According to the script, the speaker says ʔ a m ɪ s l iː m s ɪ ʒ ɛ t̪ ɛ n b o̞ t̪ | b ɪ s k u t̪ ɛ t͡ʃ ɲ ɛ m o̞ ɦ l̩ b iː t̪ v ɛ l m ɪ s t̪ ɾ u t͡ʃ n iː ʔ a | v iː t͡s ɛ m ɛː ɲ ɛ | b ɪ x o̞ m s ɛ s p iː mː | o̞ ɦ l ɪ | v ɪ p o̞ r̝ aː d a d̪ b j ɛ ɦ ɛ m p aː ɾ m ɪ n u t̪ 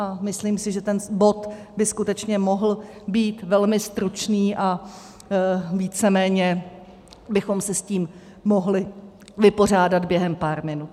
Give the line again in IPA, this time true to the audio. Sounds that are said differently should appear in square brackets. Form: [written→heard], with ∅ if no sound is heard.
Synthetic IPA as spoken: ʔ a m ɪ s l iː m s ɪ ʒ ɛ t̪ ɛ n b o̞ t̪ | b ɪ s k u t̪ ɛ t͡ʃ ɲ ɛ m o̞ ɦ l̩ b iː t̪ v ɛ l m ɪ s t̪ ɾ u t͡ʃ n iː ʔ a | v iː t͡s ɛ m ɛː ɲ ɛ | b ɪ x o̞ m s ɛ s [p→c] iː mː | o̞ ɦ l ɪ | v ɪ p o̞ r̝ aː d a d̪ b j ɛ ɦ ɛ m p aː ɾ m ɪ n u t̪

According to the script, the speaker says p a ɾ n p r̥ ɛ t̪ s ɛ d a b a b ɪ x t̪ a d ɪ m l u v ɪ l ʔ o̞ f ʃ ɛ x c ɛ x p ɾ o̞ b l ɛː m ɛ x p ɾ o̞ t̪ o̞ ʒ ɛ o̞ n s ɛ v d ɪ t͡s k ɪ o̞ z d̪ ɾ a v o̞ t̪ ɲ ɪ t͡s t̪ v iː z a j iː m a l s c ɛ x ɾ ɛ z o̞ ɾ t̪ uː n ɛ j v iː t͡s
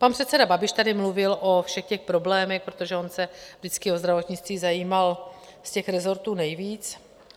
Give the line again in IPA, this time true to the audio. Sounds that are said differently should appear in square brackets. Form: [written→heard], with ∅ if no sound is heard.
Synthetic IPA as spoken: p a [ɾ→∅] n p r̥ ɛ t̪ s ɛ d a b a b ɪ [x→ʃ] t̪ a d ɪ m l u v ɪ l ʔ o̞ f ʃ ɛ x c ɛ x p ɾ o̞ b l ɛː m ɛ x p ɾ o̞ t̪ o̞ ʒ ɛ o̞ n s ɛ v d ɪ t͡s k ɪ o̞ z d̪ ɾ a v o̞ t̪ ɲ ɪ t͡s t̪ v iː z a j iː m a l s c ɛ x ɾ ɛ z o̞ ɾ t̪ uː n ɛ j v iː t͡s

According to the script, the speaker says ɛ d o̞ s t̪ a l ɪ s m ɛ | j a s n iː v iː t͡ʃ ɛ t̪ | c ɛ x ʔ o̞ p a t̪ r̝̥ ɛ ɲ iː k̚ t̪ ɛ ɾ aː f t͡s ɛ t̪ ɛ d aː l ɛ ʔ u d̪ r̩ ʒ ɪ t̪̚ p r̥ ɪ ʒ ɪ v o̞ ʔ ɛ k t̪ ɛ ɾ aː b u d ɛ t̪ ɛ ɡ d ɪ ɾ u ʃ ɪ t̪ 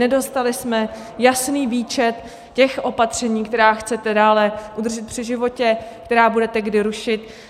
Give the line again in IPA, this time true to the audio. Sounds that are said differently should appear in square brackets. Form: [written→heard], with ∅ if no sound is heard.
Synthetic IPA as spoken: ɛ d o̞ s t̪ a l ɪ s m ɛ | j a s n iː v iː t͡ʃ ɛ t̪ | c ɛ x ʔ o̞ p a t̪ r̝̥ ɛ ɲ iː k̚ t̪ ɛ ɾ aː [f→x] t͡s ɛ t̪ ɛ d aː l ɛ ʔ u d̪ r̩ ʒ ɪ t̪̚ p r̥ ɪ ʒ ɪ v o̞ [ʔ→c] ɛ k t̪ ɛ ɾ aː b u d ɛ t̪ ɛ ɡ d ɪ ɾ u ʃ ɪ t̪

